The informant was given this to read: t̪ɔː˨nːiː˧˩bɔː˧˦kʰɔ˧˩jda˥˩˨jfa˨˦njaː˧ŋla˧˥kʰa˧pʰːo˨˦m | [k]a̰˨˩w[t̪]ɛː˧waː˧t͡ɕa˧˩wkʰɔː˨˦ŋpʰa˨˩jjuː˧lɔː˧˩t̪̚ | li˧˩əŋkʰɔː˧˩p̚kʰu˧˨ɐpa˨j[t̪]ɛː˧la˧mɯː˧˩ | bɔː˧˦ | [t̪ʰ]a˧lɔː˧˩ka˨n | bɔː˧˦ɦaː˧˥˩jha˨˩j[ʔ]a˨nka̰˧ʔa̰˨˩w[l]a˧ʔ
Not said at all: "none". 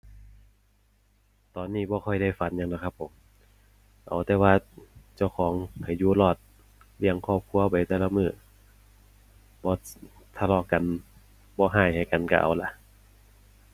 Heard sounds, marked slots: ʔ, t̪, t̪, t̪ʰ, k, l

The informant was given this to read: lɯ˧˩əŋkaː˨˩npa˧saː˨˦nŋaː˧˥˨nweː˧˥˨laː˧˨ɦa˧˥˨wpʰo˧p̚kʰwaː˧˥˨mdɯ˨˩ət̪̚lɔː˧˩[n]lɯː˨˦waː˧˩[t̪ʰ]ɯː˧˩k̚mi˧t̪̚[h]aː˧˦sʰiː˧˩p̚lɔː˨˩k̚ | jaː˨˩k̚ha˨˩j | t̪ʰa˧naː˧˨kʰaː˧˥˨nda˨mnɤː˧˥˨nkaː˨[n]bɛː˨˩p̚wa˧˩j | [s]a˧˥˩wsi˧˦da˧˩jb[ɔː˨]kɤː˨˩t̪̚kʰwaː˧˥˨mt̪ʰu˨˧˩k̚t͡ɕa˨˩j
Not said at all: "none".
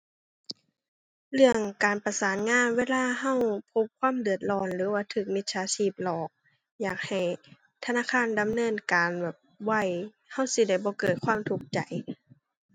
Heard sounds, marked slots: n, t̪ʰ, s, n, h, ɔː˧˦

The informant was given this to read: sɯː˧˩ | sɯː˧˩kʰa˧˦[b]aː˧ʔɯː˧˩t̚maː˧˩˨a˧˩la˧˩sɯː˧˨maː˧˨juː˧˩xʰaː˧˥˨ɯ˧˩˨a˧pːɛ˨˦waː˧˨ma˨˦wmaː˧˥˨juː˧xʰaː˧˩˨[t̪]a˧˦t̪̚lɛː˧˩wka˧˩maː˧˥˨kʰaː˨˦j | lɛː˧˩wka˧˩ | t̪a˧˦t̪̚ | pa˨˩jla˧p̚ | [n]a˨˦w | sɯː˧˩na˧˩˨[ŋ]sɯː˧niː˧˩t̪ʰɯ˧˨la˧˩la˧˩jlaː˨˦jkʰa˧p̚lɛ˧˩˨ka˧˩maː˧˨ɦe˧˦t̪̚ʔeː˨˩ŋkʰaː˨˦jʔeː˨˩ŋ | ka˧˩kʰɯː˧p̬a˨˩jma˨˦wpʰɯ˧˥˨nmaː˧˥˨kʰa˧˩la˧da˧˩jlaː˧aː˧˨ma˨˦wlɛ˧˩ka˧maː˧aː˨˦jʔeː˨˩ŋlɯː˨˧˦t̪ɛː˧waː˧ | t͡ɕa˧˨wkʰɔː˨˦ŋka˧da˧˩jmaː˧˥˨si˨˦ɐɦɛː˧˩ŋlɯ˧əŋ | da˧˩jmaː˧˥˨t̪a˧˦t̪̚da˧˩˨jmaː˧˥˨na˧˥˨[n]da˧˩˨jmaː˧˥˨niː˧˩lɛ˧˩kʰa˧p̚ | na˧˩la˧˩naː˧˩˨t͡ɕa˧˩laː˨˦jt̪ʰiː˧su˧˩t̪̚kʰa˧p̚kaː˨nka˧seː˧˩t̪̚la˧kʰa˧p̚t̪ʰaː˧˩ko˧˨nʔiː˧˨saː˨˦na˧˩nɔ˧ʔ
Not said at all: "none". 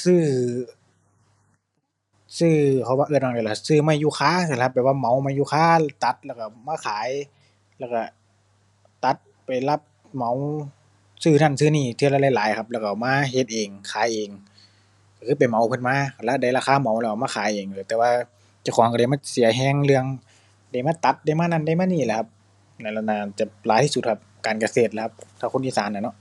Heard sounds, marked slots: w, t̪, m, n, n

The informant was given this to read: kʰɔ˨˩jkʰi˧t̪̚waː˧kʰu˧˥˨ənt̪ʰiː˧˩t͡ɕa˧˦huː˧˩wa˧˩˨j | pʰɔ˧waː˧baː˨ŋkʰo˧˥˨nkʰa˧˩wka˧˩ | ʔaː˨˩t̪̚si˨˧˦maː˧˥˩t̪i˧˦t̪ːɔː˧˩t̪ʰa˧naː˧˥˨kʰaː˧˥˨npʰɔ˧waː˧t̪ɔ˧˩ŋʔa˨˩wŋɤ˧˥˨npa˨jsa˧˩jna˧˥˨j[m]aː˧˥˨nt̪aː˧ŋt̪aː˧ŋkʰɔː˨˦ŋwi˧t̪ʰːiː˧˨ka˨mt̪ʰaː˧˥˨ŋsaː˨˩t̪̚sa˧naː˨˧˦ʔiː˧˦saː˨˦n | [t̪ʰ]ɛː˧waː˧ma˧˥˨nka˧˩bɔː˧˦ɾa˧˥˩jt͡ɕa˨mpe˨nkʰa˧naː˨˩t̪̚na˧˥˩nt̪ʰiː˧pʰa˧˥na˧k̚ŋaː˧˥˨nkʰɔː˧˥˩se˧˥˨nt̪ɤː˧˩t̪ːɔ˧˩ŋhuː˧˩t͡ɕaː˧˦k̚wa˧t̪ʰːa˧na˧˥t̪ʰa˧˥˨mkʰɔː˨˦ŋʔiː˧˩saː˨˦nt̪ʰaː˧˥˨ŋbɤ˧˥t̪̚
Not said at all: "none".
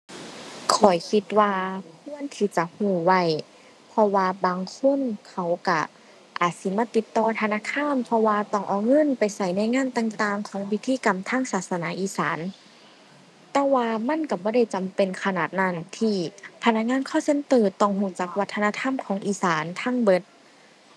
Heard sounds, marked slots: ŋ, t̪

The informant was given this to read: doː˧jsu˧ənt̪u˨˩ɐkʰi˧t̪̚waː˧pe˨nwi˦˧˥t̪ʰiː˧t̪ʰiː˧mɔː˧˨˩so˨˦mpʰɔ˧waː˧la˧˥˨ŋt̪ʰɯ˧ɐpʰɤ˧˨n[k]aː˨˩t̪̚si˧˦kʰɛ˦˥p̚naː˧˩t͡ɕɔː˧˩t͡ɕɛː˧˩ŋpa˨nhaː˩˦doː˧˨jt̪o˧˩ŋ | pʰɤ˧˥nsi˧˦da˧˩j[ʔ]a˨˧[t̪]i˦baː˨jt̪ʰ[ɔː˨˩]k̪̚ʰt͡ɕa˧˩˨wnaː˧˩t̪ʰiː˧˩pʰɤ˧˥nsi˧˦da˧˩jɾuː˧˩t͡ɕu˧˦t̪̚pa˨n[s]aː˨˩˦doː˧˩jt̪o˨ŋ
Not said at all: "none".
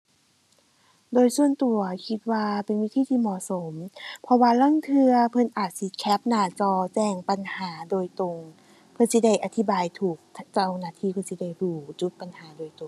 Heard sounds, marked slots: ʔ, ʔ, t̪ʰ, uː˨˩, h

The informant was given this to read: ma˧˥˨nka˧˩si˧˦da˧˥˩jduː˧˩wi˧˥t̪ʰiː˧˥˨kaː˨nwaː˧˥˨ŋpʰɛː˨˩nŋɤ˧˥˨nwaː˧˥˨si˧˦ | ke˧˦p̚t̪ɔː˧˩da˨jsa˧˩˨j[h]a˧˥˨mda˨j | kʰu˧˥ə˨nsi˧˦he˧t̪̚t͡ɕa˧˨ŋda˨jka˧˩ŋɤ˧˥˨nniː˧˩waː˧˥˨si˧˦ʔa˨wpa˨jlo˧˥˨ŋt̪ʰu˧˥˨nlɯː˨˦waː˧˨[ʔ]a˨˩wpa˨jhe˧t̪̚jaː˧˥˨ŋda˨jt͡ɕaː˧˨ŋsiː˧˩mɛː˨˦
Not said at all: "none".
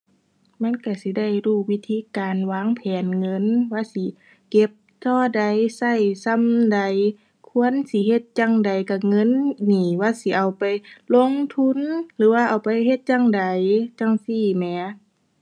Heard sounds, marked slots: s, ʔ

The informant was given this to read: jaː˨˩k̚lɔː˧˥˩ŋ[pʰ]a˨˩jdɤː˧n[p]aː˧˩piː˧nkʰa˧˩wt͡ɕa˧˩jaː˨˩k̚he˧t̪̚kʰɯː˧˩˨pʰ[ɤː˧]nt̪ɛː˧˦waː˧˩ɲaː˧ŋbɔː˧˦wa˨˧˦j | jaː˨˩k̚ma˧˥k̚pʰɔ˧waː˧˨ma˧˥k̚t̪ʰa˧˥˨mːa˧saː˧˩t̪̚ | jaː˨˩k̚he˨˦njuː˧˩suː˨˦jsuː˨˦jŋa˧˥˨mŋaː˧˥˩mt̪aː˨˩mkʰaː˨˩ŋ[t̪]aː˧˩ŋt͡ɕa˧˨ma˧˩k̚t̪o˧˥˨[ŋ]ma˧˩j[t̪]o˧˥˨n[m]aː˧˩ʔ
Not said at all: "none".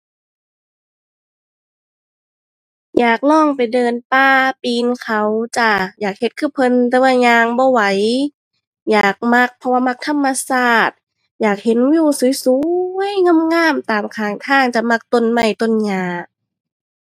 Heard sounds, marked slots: p, p, ɤ˧, t̪ʰ, n, t̪, ɲ

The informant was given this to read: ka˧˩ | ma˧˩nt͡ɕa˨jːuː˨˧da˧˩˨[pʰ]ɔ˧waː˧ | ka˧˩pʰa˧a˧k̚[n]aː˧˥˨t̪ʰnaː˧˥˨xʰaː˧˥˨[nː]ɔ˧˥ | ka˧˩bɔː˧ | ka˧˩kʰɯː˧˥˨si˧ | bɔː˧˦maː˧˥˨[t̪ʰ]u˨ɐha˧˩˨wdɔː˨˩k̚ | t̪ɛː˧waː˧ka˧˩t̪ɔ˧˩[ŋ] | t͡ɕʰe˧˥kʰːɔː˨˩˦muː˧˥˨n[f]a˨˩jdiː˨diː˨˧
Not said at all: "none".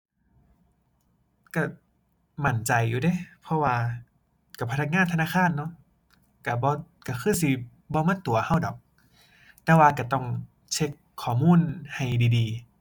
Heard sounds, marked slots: pʰ, ŋ, nː, t̪, ŋ, h

